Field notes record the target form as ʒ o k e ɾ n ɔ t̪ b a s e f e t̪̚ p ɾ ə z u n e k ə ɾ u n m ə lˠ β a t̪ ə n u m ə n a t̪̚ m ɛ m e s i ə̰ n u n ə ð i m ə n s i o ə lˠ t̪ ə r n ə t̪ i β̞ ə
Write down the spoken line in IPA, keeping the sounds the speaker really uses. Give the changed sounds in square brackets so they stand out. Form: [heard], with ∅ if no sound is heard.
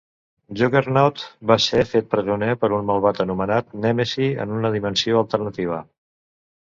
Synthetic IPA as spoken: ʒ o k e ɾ n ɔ t̪ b a s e f e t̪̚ p ɾ ə z u n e [p] ə ɾ u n m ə lˠ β a t̪ ə n u m ə n a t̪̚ [n] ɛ m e s i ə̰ n u n ə ð i m ə n s i o ə lˠ t̪ ə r n ə t̪ i β̞ ə